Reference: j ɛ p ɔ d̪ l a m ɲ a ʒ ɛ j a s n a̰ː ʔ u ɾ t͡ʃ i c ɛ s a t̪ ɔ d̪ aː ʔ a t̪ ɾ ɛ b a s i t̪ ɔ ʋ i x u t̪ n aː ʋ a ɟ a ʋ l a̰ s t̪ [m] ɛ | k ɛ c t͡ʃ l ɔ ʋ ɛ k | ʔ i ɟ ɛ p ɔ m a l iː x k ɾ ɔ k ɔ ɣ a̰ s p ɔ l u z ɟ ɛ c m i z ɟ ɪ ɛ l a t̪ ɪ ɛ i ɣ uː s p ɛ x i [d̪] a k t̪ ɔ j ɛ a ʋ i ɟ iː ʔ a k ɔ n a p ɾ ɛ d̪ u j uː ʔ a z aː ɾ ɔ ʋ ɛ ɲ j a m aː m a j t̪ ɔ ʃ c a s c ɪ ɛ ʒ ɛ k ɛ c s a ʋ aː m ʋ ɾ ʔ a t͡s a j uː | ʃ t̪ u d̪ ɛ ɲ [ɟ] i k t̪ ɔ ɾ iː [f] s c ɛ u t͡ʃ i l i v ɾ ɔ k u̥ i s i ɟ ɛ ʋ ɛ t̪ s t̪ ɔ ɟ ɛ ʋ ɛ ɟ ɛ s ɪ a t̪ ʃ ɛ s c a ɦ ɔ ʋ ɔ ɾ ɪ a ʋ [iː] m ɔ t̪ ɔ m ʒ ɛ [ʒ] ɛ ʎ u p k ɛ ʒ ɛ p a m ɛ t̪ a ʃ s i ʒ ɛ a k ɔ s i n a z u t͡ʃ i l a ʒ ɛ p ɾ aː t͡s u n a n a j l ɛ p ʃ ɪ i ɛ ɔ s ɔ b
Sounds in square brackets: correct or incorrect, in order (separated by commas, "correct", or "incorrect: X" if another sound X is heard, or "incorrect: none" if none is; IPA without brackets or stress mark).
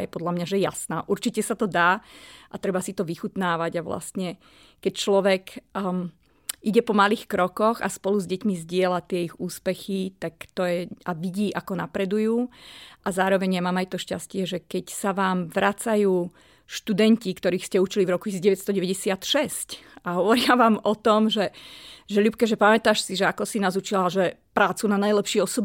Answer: incorrect: ɲ, incorrect: t̪, incorrect: c, incorrect: x, incorrect: aː, correct